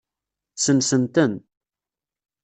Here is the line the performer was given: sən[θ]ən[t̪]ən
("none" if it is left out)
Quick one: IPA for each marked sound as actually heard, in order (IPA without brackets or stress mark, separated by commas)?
s, t̪